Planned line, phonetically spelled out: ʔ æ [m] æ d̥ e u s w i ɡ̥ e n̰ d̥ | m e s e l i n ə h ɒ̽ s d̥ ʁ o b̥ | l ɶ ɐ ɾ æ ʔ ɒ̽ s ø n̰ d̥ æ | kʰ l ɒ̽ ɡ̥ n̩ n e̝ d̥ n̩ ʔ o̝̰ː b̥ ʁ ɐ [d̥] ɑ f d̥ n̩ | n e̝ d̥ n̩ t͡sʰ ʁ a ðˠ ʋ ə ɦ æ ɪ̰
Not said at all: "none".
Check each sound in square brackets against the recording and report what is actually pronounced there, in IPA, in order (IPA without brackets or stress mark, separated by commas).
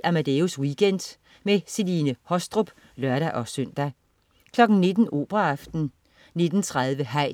m, none